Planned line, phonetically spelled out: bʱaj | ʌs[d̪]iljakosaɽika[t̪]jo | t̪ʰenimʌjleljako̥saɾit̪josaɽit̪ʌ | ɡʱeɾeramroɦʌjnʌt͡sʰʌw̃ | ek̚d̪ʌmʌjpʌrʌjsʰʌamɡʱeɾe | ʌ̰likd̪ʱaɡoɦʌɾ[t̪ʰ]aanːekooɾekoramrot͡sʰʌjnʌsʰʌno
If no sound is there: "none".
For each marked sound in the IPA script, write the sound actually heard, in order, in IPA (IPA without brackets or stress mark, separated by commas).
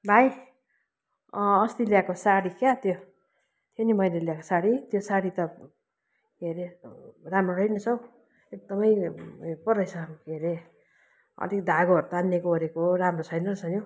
t̪, t̪, t̪